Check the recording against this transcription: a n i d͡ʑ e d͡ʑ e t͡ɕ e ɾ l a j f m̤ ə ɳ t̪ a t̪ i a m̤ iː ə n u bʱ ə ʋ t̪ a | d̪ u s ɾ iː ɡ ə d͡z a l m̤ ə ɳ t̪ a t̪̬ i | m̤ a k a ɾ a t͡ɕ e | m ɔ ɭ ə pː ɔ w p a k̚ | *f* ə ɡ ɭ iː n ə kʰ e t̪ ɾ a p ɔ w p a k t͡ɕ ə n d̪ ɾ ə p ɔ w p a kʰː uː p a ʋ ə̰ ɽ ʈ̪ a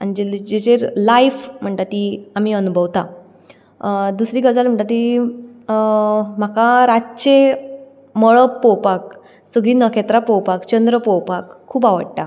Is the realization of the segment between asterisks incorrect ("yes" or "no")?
yes